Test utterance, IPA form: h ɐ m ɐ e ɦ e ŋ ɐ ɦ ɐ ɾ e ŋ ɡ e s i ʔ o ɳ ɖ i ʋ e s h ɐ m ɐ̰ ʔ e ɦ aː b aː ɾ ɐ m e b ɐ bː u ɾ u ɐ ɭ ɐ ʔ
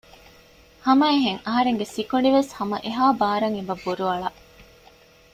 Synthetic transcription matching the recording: h ɐ m ɐ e ɦ e ŋ ɐ ɦ ɐ ɾ e ŋ ɡ e s i k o ɳ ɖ i ʋ e s h ɐ m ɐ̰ ʔ e ɦ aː b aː ɾ ɐ ŋ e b ɐ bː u ɾ u ɐ ɭ ɐ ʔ